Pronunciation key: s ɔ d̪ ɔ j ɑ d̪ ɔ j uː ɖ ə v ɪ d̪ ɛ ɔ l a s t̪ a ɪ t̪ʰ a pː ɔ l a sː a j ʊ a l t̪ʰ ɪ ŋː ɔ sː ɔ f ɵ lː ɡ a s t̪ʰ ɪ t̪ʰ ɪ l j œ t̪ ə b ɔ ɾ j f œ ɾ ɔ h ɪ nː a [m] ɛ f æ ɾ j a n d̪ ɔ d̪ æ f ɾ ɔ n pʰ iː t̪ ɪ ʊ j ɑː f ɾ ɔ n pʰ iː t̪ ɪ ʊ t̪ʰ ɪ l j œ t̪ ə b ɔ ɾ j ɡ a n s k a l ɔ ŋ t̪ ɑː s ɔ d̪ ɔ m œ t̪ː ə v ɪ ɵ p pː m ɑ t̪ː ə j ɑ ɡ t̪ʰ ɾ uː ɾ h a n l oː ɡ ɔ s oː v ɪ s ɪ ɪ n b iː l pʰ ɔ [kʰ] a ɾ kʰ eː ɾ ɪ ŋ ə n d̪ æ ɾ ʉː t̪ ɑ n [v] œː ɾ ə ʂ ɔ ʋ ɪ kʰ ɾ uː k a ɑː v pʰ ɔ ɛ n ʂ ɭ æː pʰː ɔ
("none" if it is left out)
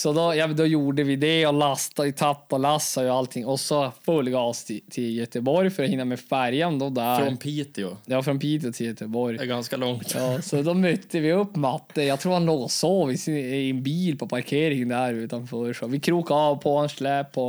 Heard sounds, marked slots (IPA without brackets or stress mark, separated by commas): m, pʰ, f